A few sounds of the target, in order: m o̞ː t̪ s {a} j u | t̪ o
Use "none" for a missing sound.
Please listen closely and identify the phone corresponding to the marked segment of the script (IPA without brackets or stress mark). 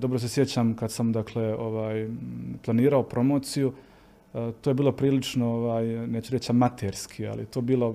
i